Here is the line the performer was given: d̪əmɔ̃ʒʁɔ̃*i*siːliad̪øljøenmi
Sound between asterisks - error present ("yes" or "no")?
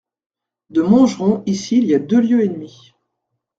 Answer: no